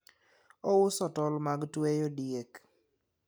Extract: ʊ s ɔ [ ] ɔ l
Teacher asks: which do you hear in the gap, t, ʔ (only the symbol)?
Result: t